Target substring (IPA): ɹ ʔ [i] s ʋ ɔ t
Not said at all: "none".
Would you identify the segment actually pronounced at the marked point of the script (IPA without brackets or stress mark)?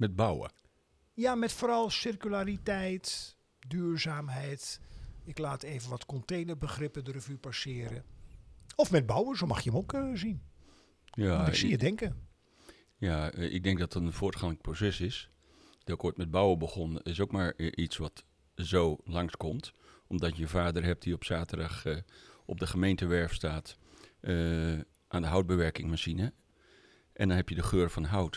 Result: i